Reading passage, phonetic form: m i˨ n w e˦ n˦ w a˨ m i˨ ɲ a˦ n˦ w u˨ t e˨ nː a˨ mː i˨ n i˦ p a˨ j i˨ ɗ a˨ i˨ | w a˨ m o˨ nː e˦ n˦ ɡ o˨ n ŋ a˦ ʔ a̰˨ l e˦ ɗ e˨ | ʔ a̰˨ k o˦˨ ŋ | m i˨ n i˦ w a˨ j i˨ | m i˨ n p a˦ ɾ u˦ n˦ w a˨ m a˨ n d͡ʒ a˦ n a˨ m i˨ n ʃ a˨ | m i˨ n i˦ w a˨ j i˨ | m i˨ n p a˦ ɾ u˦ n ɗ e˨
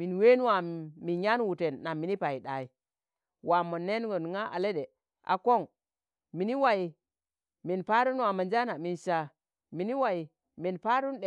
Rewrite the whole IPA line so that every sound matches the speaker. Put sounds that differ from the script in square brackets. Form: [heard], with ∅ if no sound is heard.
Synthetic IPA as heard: m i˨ n w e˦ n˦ w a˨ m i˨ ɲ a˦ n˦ w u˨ t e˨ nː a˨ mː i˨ n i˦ p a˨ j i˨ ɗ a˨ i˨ | w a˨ m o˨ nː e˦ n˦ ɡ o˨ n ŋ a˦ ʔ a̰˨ l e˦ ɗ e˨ | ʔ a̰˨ k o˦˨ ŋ | m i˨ n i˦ w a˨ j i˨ | m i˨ n p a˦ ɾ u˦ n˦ w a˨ m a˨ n d͡ʒ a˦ n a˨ m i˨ n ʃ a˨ | m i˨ n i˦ w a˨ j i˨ | m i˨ n p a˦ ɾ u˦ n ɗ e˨